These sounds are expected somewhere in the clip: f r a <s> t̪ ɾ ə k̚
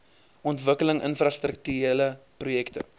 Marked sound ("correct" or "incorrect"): correct